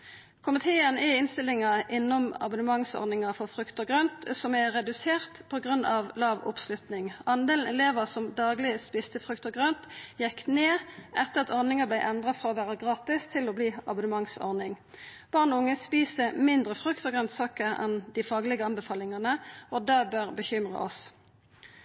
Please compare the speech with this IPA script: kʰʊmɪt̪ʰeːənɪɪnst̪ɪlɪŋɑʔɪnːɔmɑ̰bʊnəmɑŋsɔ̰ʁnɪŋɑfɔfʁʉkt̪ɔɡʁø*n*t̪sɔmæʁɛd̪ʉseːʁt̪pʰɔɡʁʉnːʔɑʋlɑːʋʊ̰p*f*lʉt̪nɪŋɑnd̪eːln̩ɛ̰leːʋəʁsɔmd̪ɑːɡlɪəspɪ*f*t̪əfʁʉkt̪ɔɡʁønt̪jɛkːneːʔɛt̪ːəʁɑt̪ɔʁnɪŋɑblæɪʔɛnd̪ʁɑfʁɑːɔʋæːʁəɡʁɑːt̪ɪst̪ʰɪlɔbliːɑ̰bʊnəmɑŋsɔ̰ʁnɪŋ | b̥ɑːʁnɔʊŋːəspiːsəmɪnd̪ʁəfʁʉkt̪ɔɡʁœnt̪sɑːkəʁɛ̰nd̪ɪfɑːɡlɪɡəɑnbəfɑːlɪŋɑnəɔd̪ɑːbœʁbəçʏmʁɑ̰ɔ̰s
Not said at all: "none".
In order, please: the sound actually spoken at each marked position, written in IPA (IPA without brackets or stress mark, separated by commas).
n, s, s